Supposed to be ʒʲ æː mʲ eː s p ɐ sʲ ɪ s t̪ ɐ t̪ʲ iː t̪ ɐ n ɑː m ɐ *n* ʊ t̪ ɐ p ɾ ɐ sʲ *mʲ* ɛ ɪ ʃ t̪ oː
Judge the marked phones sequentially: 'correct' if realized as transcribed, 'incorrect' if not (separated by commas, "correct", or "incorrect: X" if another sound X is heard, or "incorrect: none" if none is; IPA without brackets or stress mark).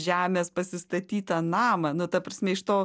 correct, correct